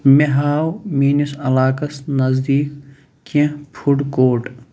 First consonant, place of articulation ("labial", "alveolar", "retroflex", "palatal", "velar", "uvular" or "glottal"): labial